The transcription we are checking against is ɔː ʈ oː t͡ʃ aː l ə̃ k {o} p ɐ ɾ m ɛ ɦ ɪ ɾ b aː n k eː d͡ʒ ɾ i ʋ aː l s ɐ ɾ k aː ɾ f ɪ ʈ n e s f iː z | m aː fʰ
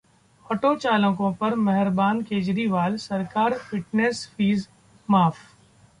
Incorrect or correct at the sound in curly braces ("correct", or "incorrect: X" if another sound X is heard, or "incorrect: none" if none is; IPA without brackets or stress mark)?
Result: incorrect: õ